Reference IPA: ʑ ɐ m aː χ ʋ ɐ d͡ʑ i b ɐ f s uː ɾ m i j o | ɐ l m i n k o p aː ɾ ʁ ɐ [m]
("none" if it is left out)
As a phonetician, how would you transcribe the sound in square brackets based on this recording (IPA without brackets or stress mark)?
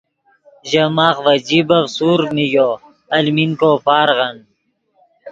n